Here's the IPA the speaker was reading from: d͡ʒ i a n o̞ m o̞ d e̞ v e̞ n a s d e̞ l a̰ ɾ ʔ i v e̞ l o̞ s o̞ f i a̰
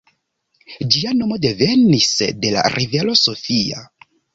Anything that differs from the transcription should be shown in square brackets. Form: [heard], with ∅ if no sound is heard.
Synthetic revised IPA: d͡ʒ i a n o̞ m o̞ d e̞ v e̞ n [i] s d e̞ l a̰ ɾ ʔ i v e̞ l o̞ s o̞ f i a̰